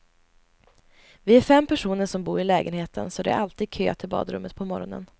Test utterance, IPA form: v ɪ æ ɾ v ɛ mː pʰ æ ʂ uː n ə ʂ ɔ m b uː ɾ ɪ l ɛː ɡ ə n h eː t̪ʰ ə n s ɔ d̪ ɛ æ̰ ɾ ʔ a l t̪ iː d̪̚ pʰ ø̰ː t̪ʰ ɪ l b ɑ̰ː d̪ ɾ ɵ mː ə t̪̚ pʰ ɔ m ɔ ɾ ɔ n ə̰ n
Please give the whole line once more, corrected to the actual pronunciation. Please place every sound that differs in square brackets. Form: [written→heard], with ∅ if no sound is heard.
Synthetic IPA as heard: v ɪ æ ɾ [v→f] ɛ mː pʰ æ ʂ uː n ə ʂ ɔ m b uː ɾ ɪ l ɛː ɡ ə n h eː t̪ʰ ə n s ɔ d̪ ɛ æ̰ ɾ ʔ a l t̪ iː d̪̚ [pʰ→kʰ] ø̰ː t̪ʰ ɪ l b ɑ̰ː d̪ ɾ ɵ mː ə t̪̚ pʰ ɔ m ɔ ɾ ɔ n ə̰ n